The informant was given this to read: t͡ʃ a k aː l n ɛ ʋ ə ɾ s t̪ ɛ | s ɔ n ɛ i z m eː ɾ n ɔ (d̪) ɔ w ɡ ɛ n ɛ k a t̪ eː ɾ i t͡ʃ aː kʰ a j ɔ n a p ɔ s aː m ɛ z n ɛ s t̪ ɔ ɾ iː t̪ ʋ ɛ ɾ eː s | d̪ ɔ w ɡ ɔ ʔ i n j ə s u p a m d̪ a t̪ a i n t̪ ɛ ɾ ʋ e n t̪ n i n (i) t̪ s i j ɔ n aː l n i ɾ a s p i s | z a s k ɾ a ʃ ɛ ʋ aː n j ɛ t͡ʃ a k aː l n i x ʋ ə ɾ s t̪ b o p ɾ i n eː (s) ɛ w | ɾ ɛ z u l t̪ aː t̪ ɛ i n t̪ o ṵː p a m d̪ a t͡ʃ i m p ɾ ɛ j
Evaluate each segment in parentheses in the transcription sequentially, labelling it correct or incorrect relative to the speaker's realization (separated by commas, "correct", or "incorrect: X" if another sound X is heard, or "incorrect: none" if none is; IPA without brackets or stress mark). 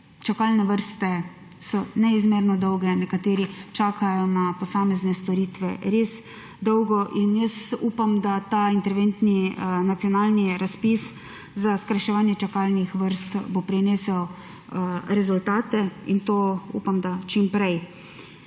correct, incorrect: a, correct